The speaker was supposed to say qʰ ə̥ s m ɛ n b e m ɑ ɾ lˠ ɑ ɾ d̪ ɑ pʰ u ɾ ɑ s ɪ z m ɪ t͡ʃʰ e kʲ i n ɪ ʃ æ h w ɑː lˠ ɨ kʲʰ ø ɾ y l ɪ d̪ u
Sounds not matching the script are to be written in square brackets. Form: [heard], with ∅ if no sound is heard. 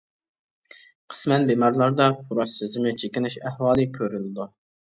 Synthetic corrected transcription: qʰ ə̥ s m ɛ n b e m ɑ ɾ lˠ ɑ ɾ d̪ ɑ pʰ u ɾ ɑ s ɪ z m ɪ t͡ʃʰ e kʲ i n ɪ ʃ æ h w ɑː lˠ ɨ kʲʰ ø ɾ y l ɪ d̪ u